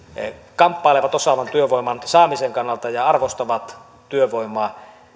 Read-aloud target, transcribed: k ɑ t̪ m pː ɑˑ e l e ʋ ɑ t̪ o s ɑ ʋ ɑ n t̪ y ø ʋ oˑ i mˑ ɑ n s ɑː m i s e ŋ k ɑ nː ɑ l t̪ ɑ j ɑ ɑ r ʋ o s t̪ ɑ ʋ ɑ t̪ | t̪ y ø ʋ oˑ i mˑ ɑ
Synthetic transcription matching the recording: k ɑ m pː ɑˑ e l e ʋ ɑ t̪ o s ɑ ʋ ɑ n t̪ y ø ʋ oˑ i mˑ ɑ n s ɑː m i s e ŋ k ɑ nː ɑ l t̪ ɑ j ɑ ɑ r ʋ o s t̪ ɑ ʋ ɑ t̪ | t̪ y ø ʋ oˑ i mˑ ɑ